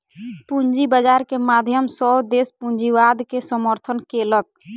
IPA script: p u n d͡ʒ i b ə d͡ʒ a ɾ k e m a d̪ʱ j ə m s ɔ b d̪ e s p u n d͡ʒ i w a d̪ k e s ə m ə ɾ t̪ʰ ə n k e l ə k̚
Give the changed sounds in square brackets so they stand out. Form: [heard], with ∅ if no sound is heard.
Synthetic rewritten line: p u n d͡ʒ i b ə d͡ʒ a ɾ k e m a d̪ʱ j ə m s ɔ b d̪ e s p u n d͡ʒ i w a d̪ k e s ə m ə ɾ t̪ʰ ə n k e l ə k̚